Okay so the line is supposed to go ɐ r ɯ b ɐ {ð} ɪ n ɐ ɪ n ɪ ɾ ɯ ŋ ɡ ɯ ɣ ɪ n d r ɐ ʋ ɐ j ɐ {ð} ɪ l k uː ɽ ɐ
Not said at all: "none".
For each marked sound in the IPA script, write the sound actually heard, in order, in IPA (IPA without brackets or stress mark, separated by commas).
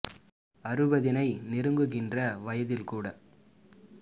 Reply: ð, ð